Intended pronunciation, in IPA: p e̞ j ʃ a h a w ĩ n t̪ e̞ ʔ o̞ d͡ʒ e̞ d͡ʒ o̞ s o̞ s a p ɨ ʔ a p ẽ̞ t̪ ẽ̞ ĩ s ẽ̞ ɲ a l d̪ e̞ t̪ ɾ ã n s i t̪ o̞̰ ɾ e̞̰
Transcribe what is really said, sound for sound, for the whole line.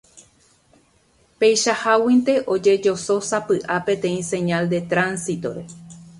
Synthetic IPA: p e̞ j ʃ a h a w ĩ n t̪ e̞ ʔ o̞ d͡ʒ e̞ d͡ʒ o̞ s o̞ s a p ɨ ʔ a p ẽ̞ t̪ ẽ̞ ĩ s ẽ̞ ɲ a l d̪ e̞ t̪ ɾ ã n s i t̪ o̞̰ ɾ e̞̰